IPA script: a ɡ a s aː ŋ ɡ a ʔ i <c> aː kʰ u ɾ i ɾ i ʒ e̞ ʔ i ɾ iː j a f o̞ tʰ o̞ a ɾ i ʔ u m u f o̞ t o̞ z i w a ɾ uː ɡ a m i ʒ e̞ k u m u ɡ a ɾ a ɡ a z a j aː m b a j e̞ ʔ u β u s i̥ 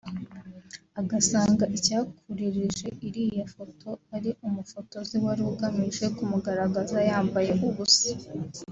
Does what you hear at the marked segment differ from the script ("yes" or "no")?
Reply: no